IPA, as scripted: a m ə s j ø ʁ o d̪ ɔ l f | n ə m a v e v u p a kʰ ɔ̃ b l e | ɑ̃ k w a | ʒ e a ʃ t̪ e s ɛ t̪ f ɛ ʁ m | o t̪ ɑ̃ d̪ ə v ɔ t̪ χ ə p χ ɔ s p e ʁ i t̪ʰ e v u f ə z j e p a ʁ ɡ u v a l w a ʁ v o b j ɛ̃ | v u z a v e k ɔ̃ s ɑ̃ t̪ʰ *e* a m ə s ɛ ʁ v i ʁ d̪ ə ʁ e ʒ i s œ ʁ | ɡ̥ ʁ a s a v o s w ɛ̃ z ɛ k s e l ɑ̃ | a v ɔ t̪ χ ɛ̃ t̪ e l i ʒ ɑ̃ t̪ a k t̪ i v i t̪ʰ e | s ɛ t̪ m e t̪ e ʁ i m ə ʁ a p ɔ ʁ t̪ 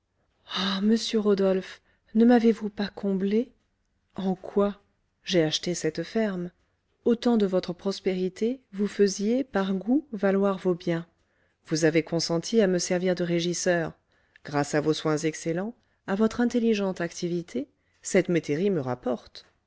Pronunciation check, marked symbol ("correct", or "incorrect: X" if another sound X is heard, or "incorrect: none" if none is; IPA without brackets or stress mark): incorrect: i